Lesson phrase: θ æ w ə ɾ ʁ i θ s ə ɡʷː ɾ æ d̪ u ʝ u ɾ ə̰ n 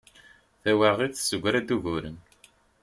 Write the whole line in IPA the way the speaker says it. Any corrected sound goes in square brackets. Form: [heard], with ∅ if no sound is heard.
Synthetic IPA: θ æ w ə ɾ ʁ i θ s ə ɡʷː ɾ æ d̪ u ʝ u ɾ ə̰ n